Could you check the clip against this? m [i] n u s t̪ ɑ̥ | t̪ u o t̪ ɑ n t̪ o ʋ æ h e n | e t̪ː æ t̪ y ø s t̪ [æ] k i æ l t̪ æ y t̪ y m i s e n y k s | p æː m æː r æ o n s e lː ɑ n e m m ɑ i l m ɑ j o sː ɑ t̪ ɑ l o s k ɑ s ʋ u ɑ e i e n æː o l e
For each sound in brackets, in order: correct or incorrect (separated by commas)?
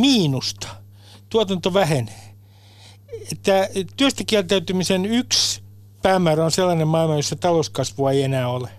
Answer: incorrect, correct